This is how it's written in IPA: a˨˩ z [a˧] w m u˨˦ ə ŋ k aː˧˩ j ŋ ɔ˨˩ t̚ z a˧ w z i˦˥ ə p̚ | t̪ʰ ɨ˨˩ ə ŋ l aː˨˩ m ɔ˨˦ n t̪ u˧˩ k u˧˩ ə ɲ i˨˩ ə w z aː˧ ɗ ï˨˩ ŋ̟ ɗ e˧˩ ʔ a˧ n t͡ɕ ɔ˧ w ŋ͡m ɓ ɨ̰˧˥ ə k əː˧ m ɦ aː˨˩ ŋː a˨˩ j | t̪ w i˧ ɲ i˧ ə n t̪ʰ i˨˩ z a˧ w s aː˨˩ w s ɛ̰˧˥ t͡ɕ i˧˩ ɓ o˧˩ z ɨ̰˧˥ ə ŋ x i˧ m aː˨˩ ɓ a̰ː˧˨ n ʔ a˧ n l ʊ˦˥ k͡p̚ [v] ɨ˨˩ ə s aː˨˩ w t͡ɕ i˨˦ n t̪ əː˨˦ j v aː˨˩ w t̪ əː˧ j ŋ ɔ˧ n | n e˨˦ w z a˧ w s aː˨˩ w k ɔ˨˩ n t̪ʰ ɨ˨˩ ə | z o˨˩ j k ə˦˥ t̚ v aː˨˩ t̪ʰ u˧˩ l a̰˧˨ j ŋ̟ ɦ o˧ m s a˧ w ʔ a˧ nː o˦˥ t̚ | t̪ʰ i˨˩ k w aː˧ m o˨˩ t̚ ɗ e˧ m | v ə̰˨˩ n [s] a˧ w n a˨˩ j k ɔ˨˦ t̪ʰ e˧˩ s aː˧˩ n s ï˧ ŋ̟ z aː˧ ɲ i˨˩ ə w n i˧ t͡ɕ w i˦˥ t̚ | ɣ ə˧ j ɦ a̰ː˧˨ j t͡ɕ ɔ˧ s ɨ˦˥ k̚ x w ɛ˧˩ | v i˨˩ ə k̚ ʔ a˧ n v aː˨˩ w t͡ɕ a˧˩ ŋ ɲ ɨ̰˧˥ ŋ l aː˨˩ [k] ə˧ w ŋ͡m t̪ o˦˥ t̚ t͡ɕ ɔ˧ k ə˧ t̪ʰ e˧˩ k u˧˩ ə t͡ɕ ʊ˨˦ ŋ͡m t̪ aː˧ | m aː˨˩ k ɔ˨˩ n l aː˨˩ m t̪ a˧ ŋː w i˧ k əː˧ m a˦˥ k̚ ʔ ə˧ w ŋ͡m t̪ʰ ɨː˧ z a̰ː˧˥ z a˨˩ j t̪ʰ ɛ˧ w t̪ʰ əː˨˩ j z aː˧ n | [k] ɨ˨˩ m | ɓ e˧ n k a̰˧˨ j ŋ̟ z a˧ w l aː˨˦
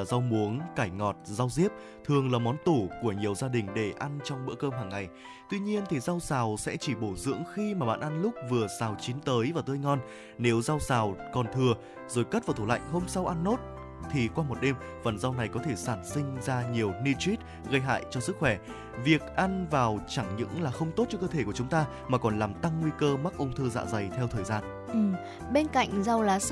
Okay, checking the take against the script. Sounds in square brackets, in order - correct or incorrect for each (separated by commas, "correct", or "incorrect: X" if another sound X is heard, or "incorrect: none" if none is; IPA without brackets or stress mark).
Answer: correct, correct, incorrect: z, incorrect: x, incorrect: ʔ